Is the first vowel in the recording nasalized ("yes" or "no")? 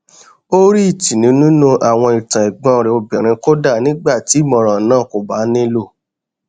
no